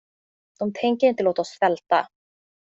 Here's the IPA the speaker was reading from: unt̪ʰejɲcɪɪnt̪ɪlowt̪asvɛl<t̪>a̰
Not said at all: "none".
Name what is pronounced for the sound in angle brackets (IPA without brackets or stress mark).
t̪